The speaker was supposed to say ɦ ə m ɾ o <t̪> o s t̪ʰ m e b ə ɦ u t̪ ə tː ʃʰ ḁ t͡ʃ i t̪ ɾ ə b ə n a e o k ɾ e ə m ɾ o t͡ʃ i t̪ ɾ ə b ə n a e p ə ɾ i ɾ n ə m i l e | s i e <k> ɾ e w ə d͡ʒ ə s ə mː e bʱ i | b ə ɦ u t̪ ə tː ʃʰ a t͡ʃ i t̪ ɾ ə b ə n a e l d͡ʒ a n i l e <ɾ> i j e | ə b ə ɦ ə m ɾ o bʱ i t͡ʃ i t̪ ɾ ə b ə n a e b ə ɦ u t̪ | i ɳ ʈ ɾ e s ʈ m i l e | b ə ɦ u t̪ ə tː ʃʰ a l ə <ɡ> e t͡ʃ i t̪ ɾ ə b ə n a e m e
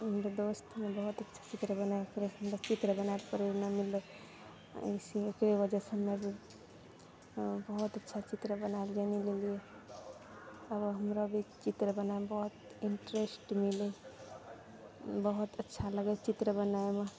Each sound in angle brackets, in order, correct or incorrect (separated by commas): incorrect, correct, incorrect, correct